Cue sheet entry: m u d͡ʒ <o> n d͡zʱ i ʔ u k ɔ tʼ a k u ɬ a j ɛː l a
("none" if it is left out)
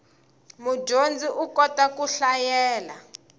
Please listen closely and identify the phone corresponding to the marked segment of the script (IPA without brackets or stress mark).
o